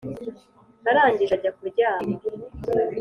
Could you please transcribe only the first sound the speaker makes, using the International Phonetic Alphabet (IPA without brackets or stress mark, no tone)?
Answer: n